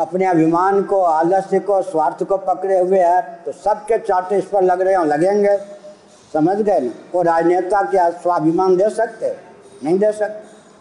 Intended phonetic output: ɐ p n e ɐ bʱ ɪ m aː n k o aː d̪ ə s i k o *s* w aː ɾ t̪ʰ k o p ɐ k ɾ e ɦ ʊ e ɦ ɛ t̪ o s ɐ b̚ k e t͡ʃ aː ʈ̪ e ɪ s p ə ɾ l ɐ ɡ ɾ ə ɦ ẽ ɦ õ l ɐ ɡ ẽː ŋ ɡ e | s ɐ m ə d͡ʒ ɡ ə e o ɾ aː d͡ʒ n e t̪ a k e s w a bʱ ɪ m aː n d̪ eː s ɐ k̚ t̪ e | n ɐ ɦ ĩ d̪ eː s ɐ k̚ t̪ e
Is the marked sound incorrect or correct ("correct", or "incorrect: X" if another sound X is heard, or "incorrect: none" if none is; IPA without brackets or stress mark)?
correct